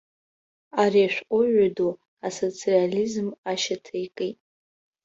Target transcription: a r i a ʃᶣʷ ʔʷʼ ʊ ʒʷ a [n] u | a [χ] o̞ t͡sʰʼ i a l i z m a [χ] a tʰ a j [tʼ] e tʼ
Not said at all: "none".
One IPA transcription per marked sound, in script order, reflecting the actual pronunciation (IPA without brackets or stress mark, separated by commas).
d, s, ʃ, kʼ